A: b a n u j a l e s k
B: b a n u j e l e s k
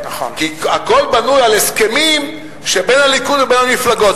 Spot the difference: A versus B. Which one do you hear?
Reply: A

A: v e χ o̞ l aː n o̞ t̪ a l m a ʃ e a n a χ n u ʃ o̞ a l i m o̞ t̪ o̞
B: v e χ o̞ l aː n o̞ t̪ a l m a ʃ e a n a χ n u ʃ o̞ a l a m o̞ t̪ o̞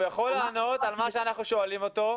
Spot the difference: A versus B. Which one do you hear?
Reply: A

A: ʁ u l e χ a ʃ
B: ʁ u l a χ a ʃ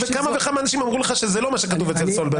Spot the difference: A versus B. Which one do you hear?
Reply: A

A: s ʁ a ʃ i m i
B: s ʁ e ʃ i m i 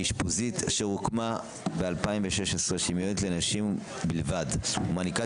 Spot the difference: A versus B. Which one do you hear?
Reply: B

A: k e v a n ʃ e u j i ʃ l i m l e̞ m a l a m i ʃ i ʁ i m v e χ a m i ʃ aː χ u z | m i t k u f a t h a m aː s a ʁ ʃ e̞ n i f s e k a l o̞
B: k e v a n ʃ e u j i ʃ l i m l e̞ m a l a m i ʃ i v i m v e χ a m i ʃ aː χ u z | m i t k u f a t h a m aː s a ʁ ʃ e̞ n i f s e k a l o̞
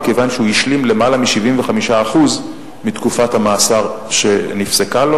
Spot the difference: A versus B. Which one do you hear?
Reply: B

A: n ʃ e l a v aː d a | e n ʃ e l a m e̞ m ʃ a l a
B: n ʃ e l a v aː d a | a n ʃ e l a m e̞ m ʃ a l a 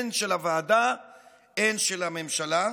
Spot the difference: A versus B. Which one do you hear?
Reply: A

